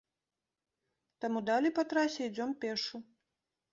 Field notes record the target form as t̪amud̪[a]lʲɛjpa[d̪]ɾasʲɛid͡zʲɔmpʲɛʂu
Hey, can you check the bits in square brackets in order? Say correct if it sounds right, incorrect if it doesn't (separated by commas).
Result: correct, incorrect